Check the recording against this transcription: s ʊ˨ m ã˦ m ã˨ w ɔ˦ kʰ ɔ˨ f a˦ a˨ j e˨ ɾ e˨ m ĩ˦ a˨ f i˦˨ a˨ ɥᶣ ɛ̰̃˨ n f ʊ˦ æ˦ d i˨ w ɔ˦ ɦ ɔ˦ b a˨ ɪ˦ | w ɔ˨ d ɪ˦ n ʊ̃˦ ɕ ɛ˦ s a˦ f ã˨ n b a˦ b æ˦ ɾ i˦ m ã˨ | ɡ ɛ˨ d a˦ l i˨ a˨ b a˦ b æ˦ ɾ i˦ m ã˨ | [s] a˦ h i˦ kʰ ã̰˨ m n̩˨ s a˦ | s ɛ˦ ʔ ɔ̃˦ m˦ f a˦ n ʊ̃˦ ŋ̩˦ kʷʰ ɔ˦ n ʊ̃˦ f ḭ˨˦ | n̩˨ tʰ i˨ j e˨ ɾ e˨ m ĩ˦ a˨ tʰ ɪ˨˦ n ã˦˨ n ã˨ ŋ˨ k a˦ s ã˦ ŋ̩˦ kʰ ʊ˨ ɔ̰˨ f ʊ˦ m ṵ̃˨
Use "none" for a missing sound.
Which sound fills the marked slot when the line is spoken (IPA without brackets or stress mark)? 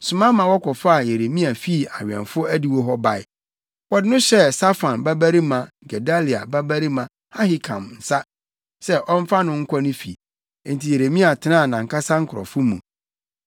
h